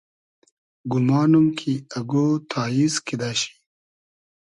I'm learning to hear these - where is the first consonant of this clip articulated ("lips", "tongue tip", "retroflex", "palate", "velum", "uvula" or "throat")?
velum